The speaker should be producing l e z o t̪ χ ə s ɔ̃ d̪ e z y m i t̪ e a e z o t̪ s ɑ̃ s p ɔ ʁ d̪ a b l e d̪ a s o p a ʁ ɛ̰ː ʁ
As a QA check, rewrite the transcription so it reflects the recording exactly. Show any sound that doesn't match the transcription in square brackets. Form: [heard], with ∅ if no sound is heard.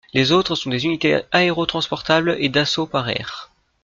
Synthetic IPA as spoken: l e z o t̪ χ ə s ɔ̃ d̪ e z y [n] i t̪ e a e [ʁ] o t̪ [χ] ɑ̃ s p ɔ ʁ [t̪] a b l e d̪ a s o p a ʁ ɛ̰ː ʁ